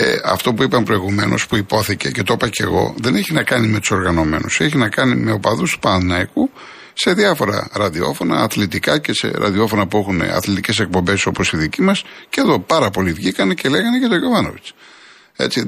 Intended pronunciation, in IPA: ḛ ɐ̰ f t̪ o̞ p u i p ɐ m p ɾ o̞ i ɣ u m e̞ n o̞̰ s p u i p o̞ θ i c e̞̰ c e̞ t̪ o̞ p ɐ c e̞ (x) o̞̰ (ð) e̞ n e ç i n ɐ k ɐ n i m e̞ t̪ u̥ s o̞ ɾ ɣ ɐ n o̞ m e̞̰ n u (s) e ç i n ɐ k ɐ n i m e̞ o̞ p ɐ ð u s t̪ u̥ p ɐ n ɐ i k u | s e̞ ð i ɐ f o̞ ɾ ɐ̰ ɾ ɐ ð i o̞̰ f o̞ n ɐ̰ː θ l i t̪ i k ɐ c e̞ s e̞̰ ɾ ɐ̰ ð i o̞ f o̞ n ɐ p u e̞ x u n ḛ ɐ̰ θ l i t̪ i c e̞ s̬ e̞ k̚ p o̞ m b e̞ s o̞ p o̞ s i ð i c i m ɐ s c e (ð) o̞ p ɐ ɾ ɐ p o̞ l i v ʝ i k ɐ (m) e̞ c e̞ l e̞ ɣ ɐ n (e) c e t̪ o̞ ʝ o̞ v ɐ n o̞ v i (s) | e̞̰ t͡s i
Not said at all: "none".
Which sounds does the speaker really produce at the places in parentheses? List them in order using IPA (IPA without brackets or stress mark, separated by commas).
ɣ, ð, s, ð, n, e, t͡s